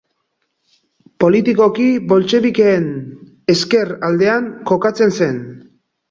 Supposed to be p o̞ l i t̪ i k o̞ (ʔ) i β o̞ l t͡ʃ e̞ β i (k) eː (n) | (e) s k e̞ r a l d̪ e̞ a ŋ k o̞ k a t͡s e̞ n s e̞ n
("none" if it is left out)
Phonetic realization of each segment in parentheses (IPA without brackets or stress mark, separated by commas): k, k, n, e